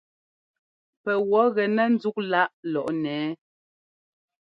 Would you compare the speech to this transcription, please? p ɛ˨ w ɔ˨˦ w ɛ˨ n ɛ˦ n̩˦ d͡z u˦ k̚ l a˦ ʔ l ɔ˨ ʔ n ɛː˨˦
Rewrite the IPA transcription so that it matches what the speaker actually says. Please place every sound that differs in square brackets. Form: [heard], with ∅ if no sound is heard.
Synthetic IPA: p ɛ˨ w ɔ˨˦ [ɣ] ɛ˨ n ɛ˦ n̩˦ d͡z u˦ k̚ l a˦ ʔ l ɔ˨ ʔ n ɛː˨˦

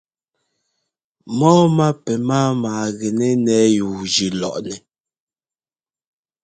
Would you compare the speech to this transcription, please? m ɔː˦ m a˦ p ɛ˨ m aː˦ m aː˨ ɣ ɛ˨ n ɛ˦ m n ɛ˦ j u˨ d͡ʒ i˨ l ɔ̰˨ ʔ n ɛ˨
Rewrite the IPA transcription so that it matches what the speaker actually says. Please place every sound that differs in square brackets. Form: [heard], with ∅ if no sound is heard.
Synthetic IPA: m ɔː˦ m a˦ p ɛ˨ m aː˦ m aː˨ ɣ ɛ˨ n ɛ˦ [∅] n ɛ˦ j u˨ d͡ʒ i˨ l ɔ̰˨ ʔ n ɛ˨

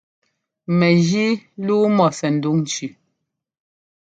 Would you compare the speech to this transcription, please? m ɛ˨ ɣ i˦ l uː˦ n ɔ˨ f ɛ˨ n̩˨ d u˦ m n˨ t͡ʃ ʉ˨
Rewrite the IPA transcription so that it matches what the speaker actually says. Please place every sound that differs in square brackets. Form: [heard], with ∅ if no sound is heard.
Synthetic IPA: m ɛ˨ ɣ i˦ l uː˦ [m] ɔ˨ [s] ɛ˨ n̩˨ d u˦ [ŋ] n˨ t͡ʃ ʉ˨

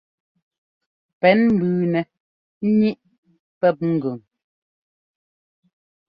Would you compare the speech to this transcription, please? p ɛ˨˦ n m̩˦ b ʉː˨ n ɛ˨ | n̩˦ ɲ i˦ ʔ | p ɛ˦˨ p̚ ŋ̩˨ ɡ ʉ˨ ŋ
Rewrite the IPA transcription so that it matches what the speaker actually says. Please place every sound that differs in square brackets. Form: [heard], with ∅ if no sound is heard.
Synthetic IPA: p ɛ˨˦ n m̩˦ b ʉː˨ n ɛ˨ | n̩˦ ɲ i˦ ʔ | p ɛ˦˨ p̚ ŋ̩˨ ɡ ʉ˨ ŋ

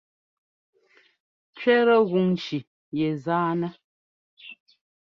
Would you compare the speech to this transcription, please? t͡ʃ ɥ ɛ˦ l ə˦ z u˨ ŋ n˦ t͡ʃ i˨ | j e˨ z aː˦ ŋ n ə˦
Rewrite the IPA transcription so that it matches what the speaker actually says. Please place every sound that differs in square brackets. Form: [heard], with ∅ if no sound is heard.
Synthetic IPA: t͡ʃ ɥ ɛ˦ [ɾ] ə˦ [ɣ] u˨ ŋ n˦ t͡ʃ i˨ | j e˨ z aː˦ [∅] n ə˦

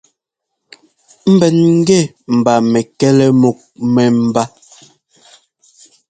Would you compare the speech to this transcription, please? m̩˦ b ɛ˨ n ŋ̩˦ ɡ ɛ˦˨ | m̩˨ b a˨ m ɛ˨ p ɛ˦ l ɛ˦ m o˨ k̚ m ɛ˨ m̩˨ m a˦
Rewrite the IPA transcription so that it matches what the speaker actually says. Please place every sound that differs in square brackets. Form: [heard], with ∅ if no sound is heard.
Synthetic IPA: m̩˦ b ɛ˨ n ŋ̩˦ ɡ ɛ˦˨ | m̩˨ b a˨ m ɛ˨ [k] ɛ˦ l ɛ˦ m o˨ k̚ m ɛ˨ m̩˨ [b] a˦

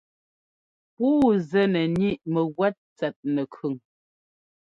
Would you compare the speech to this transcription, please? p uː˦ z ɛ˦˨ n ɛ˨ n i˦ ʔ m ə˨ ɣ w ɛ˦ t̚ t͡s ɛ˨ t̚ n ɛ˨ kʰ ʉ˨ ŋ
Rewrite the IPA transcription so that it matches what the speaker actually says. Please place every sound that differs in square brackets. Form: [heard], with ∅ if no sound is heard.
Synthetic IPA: p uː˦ z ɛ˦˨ n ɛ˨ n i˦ ʔ m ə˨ ɣ w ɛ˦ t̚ t͡s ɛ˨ t̚ n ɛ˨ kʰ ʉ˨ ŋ

